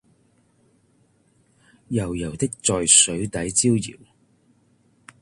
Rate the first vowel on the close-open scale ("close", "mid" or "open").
open